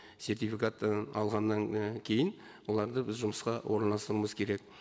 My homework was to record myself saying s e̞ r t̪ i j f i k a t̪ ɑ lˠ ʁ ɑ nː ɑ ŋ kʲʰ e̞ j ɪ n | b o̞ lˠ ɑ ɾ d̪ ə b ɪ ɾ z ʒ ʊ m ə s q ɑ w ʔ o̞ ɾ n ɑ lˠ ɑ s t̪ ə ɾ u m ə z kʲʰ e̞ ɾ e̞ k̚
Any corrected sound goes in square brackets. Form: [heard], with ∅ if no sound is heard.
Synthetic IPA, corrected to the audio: s e̞ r t̪ i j f i k a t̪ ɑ lˠ ʁ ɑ nː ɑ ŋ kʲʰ e̞ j ɪ n | [w] o̞ lˠ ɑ ɾ d̪ ə b ɪ [∅] z ʒ ʊ m ə s q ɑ w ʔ o̞ ɾ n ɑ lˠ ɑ s t̪ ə ɾ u m ə z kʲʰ e̞ ɾ e̞ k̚